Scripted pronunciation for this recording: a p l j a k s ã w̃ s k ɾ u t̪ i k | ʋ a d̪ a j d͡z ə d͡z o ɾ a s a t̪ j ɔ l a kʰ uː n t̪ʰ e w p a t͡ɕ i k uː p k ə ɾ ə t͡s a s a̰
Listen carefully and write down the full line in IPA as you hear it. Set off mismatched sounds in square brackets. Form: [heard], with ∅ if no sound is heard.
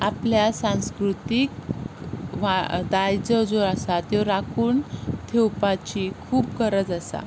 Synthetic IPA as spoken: a p l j a [∅] s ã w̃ s k ɾ u t̪ i k | ʋ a d̪ a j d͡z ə d͡z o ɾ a s a t̪ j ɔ [ɾ] a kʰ uː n t̪ʰ e w p a t͡ɕ i [kʰ] uː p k ə ɾ ə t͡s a s a̰